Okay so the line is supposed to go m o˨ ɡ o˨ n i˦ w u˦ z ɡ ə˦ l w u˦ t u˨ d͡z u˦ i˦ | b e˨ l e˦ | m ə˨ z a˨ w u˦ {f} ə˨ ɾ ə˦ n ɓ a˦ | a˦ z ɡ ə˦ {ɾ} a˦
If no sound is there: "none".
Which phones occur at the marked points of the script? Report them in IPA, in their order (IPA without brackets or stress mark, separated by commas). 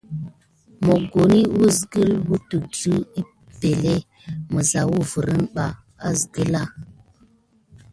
v, l